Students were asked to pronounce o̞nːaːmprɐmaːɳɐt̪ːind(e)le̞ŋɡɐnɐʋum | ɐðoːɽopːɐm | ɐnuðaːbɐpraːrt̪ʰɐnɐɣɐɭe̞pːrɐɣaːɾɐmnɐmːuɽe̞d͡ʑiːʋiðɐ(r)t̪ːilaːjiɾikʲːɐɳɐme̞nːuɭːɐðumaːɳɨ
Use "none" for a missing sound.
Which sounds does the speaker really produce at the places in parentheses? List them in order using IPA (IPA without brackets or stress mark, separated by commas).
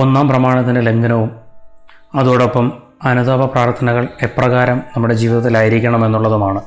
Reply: e, none